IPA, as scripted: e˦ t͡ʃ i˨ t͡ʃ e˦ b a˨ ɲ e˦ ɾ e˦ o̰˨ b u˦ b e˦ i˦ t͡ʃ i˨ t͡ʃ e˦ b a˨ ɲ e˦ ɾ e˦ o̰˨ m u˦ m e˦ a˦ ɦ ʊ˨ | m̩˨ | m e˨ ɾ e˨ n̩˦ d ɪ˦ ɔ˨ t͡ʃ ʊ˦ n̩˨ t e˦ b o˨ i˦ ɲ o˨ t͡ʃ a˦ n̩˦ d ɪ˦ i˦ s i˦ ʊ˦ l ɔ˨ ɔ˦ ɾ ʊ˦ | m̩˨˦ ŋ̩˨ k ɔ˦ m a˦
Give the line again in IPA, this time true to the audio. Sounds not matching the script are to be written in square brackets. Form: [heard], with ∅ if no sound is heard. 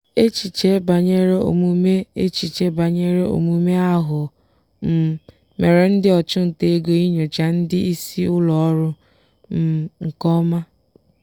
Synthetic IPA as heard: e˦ t͡ʃ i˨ t͡ʃ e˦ b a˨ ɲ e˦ ɾ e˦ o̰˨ [m] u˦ [m] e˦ [e˦] t͡ʃ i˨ t͡ʃ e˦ b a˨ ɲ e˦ ɾ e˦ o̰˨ m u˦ m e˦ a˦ ɦ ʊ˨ | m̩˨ | m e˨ ɾ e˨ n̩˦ d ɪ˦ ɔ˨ t͡ʃ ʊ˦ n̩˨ t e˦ [ɡ] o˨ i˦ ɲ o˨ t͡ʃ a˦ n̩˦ d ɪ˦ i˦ s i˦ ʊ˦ l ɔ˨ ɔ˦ ɾ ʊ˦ | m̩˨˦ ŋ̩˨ k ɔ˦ m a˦